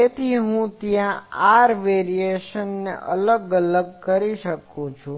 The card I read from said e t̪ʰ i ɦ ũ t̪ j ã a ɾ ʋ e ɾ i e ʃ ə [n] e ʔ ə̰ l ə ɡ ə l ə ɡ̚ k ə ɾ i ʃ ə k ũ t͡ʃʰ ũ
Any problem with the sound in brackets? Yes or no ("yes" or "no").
yes